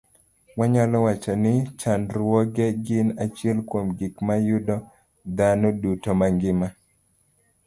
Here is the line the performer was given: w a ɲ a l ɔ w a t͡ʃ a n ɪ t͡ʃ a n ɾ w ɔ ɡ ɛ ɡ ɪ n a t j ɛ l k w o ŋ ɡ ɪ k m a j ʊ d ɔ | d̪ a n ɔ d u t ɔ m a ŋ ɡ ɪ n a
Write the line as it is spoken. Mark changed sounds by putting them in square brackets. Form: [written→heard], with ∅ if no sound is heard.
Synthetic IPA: w a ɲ a l ɔ w a t͡ʃ a n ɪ t͡ʃ a n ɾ w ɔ ɡ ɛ ɡ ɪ n a [t→t͡ʃ] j ɛ l k w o [ŋ→m] ɡ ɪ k m a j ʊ d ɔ | d̪ a n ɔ d u t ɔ m a ŋ ɡ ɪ [n→m] a